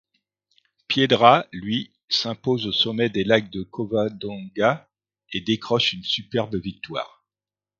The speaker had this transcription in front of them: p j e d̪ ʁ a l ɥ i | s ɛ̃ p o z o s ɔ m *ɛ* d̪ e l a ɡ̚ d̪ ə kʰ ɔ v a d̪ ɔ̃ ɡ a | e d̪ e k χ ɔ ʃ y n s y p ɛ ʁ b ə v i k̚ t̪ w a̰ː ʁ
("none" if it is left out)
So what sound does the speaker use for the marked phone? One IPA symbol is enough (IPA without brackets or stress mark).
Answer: ɛ